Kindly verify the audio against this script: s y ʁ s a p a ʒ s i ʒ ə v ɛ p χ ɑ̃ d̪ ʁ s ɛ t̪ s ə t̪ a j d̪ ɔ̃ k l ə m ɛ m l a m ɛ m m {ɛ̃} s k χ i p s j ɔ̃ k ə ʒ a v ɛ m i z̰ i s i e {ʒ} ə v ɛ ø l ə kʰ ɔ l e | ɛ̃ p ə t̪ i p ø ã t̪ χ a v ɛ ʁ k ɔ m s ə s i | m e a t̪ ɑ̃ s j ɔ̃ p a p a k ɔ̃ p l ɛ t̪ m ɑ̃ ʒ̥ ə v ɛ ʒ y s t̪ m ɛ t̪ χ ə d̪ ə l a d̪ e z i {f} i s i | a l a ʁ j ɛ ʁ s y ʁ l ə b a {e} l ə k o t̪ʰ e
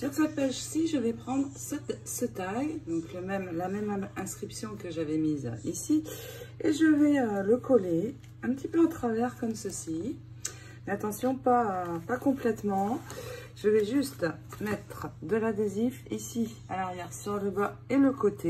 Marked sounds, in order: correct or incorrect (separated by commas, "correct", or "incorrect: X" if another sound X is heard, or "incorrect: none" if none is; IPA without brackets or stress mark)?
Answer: correct, correct, correct, correct